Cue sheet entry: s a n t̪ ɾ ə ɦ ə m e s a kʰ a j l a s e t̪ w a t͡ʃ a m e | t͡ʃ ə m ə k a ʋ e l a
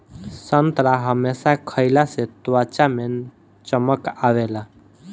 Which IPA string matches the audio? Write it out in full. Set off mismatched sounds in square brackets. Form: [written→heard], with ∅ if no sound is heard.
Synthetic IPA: s [a→ə] n t̪ ɾ [ə→a] ɦ ə m e s a kʰ [a→ə] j l a s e t̪ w a t͡ʃ a m e | t͡ʃ ə m ə k a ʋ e l a